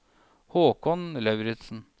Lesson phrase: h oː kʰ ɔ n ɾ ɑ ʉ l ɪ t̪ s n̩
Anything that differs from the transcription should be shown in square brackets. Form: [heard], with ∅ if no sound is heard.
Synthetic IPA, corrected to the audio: h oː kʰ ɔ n [l] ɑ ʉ [ɾ] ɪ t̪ s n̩